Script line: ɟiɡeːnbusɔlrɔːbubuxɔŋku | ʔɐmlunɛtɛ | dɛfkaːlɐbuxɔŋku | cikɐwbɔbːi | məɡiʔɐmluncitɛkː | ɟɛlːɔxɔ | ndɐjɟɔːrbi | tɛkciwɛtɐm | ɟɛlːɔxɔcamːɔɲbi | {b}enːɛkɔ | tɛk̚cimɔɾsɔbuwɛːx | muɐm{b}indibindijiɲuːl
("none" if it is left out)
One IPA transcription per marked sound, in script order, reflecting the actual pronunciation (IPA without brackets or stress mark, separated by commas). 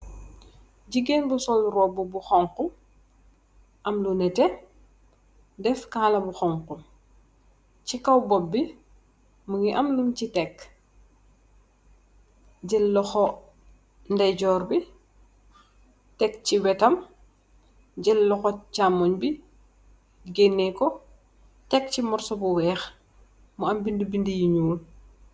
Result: ɡ, b